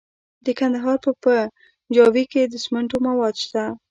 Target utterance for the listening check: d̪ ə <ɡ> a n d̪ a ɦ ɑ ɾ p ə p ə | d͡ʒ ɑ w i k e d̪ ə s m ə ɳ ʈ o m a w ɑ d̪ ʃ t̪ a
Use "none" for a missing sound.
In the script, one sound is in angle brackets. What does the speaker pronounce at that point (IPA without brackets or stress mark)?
k